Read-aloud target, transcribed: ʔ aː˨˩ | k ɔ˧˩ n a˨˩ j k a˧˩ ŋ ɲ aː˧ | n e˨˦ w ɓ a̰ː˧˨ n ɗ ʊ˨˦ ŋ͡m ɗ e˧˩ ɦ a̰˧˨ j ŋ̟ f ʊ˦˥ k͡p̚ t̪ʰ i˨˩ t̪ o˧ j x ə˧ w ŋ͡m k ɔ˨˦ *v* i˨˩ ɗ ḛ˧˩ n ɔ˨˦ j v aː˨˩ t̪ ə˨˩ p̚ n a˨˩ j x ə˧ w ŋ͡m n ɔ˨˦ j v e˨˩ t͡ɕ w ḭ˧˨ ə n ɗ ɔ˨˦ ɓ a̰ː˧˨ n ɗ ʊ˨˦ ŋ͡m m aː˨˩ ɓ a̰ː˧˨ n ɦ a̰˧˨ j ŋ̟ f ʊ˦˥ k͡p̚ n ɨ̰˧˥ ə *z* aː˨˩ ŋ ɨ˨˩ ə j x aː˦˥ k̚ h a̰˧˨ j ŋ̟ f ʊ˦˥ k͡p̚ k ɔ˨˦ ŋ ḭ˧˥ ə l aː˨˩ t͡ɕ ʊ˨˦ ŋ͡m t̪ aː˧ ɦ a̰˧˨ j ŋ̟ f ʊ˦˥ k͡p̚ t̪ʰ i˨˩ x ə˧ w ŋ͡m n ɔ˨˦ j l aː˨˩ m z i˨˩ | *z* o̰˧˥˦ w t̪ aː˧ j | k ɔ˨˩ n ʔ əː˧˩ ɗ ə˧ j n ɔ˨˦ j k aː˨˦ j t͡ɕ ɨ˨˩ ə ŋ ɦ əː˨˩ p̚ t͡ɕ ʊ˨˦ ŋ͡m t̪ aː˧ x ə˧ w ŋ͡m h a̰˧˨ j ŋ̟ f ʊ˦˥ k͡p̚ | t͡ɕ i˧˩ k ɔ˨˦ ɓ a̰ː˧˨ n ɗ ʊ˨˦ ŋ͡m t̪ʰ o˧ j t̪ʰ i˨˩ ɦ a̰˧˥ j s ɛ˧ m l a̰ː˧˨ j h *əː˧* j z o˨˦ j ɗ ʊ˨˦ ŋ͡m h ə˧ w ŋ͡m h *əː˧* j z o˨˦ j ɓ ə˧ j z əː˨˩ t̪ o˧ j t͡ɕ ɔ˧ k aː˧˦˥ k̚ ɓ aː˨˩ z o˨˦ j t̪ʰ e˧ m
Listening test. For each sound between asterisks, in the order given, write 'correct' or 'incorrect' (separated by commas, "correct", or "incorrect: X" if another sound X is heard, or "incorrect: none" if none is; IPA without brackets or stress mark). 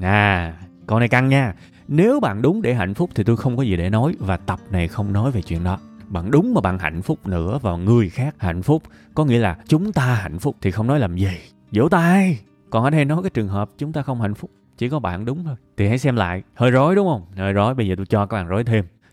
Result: incorrect: z, incorrect: v, correct, correct, correct